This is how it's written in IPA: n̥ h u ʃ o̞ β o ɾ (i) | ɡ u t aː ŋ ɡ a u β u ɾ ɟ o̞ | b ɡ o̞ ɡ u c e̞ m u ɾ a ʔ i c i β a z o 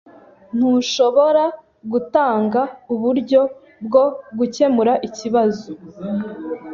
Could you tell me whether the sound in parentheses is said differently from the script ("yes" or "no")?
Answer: yes